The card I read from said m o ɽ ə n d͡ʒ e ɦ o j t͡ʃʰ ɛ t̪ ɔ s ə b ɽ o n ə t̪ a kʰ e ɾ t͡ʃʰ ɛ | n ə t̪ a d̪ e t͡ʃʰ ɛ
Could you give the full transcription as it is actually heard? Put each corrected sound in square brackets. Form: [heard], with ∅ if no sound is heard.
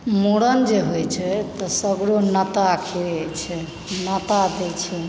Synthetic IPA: m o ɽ ə n d͡ʒ e ɦ o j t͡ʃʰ ɛ t̪ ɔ s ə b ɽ o n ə t̪ a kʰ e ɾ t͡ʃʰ ɛ | n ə t̪ a d̪ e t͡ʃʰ ɛ